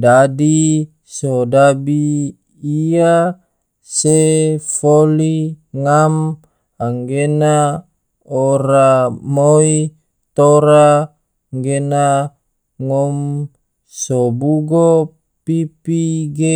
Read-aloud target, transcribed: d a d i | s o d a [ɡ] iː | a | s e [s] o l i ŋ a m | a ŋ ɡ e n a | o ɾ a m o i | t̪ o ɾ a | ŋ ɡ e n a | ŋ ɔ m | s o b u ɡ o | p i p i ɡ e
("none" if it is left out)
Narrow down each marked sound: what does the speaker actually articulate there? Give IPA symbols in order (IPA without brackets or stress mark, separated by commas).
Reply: b, f